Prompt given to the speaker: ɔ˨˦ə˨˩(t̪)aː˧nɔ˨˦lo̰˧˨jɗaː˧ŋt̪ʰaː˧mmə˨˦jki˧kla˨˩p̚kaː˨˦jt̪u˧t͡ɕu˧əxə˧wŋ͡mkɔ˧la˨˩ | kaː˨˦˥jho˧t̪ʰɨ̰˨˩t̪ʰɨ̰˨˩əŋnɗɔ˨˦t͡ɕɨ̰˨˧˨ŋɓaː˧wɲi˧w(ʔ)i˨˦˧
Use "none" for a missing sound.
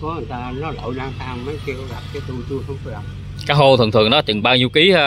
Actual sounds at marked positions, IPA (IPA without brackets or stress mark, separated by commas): t̪, k